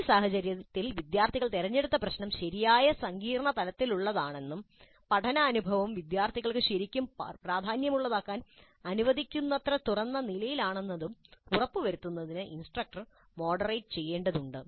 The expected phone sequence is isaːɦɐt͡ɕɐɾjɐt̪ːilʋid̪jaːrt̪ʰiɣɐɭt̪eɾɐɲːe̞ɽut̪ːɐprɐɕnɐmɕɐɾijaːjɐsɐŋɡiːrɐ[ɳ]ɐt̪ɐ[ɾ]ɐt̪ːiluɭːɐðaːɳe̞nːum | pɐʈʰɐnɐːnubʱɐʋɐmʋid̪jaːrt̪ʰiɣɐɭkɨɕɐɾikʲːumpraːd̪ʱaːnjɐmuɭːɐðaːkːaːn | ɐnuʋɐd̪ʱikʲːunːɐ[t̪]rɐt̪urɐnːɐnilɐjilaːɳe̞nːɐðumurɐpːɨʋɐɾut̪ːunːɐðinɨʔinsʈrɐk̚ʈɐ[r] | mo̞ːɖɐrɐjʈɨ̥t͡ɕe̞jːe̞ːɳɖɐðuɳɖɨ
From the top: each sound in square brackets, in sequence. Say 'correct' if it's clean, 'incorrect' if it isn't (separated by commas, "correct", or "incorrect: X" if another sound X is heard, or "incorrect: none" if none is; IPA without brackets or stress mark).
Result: correct, incorrect: l, correct, correct